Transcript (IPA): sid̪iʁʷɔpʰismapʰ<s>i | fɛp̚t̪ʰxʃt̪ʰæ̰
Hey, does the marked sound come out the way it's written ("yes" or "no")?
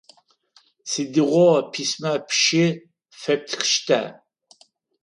no